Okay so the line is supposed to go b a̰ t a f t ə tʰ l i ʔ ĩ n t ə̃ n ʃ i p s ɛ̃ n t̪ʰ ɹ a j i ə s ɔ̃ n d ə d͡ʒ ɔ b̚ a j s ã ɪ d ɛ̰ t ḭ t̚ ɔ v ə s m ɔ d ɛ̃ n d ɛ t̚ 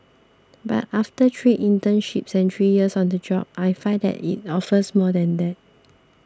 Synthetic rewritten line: b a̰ t a f t ə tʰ ɹ i ʔ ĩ n t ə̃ n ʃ i p s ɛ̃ n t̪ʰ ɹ i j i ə s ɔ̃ n d ə d͡ʒ ɔ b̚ a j f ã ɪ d ɛ̰ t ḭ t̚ ɔ f ə s m ɔ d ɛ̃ n d ɛ t̚